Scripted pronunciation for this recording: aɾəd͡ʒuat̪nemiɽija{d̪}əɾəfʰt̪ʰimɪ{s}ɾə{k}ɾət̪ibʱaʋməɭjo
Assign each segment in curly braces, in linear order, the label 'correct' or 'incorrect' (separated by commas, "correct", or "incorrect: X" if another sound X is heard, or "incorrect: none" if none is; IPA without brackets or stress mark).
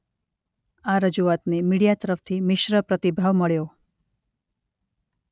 incorrect: t̪, incorrect: ʃ, incorrect: p